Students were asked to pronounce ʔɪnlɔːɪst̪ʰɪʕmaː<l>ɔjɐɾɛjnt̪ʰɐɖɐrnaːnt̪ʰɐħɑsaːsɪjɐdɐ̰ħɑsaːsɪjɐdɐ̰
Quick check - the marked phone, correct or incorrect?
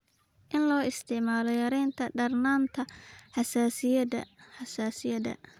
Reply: correct